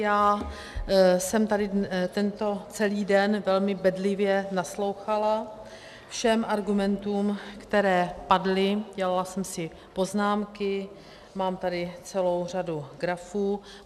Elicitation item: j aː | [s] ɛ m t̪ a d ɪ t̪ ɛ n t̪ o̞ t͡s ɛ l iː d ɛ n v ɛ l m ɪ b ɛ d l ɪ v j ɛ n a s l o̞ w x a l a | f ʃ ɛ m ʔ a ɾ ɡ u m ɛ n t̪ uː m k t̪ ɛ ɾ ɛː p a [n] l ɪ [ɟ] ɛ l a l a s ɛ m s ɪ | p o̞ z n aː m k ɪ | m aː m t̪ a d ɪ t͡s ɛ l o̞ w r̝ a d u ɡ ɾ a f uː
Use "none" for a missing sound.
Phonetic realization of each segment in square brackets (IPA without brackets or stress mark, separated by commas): s, d, ɟ